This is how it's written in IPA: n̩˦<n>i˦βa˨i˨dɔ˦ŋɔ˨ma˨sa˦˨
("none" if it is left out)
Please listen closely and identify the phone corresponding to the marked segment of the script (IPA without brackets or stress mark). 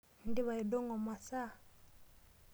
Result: d